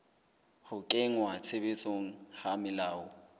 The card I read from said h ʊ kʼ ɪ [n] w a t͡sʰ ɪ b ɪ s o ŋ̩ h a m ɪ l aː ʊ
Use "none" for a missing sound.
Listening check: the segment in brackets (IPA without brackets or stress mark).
ŋ